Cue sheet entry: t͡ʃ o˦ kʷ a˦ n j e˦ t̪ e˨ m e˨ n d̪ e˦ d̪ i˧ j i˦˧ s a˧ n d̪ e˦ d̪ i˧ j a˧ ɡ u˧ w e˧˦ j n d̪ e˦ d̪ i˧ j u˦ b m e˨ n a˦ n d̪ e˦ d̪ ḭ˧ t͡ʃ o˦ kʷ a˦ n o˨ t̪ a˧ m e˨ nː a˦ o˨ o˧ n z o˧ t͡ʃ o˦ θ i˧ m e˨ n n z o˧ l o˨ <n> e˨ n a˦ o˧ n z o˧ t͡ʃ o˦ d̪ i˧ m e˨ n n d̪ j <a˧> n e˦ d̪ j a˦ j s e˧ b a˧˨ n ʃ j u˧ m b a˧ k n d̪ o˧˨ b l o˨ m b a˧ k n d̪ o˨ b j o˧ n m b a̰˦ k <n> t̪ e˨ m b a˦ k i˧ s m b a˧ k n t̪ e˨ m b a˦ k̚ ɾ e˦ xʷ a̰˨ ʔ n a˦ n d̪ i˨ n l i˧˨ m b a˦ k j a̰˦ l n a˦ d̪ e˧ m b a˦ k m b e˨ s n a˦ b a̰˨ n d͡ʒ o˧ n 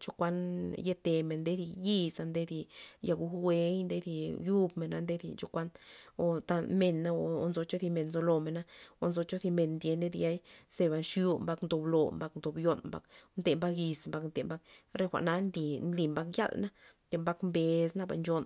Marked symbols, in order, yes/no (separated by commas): no, no, yes